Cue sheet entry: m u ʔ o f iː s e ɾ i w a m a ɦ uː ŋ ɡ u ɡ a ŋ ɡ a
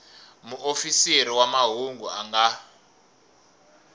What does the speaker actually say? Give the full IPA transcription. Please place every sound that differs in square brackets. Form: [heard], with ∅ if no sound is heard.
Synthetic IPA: m u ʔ o f [i] s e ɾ i w a m a ɦ [u] ŋ ɡ u [∅] a ŋ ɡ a